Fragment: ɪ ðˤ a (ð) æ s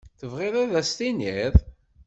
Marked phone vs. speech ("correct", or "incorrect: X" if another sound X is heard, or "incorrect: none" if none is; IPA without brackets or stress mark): correct